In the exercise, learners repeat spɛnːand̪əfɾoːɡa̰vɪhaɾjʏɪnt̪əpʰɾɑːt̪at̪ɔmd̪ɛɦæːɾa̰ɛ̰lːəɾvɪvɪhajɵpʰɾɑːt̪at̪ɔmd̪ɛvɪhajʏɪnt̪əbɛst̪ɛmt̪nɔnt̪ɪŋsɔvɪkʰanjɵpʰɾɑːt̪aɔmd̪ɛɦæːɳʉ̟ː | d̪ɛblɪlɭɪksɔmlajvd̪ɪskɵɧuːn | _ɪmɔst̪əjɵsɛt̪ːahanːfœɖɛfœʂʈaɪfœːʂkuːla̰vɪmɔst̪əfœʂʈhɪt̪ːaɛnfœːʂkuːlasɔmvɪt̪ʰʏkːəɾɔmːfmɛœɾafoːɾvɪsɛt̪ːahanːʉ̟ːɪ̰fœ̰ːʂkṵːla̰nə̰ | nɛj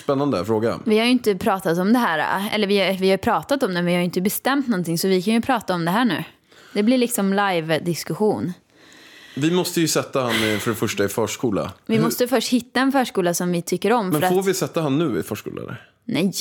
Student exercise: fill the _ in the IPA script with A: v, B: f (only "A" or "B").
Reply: A